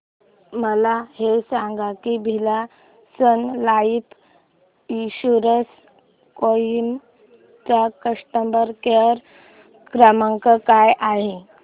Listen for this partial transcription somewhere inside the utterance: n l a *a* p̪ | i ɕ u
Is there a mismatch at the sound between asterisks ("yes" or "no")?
yes